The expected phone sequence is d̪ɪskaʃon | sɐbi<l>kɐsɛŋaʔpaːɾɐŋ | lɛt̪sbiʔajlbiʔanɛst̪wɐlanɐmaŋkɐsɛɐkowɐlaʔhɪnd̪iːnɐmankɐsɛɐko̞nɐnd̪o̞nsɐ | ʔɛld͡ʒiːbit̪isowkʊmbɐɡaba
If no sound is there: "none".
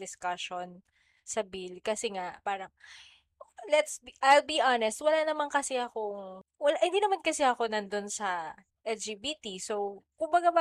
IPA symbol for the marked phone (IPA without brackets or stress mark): l